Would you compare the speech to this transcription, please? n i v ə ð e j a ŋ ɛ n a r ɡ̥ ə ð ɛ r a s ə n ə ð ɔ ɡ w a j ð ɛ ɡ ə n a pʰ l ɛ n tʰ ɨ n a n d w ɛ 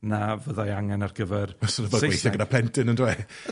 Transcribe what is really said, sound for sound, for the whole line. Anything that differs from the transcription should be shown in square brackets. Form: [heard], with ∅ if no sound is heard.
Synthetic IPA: n [a] v ə ð [a] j a ŋ ɛ n a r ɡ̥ ə [v] ɛ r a s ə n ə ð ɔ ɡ w [e] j [θ] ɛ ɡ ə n a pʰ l ɛ n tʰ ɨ n [ə] n d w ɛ